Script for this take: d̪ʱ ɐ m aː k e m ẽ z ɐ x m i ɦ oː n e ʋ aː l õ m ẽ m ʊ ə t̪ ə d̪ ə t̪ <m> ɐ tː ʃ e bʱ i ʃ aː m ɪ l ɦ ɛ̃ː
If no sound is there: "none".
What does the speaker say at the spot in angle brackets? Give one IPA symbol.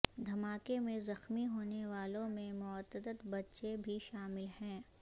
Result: b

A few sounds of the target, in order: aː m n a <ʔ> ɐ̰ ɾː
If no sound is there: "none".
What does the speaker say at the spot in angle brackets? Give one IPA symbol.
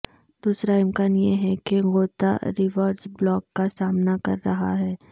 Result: k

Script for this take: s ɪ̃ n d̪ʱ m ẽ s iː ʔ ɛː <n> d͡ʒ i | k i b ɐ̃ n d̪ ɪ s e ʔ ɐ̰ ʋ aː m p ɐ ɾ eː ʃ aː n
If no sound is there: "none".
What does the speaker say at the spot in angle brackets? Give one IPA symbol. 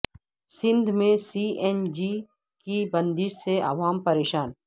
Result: n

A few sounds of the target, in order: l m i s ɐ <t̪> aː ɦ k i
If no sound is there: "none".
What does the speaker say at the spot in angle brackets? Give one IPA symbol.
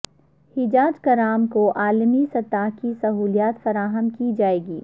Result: t̪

